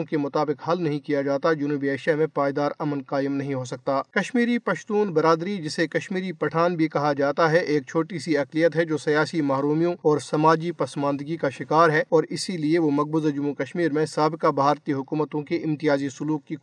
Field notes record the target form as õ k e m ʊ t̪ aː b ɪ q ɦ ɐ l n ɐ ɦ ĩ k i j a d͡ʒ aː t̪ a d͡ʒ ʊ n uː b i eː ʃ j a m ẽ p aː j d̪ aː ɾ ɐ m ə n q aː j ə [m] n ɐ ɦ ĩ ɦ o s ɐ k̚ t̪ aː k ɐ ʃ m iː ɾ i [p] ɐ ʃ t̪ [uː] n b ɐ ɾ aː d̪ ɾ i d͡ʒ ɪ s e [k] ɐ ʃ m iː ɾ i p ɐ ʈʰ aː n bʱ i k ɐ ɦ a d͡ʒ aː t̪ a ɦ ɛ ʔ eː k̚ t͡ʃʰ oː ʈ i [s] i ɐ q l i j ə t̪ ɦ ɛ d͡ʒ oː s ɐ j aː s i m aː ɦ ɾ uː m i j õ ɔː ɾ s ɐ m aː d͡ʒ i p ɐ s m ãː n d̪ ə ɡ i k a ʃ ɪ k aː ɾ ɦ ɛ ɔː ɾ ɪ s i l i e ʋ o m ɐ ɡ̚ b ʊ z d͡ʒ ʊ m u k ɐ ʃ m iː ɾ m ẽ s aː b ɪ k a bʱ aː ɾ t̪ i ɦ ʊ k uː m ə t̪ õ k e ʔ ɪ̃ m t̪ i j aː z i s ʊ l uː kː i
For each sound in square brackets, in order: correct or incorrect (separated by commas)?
correct, correct, correct, correct, correct